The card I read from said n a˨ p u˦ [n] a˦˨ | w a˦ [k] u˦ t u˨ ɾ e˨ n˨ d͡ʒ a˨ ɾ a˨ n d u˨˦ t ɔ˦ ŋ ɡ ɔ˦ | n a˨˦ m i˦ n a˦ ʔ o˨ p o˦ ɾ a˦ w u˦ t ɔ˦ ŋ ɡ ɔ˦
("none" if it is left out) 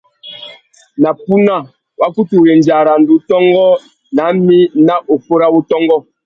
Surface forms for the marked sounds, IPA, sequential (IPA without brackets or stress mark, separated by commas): n, k